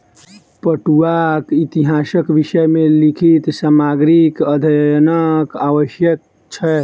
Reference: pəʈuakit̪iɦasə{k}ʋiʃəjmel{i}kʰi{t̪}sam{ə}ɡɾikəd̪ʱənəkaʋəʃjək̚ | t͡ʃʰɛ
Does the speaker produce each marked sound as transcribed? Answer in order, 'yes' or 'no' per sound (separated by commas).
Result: yes, yes, yes, no